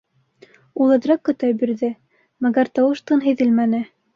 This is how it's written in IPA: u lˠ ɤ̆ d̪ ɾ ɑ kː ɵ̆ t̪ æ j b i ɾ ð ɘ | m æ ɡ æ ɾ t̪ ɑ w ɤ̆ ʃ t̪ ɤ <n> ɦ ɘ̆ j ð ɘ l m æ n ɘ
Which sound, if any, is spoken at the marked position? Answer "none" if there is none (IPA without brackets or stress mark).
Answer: n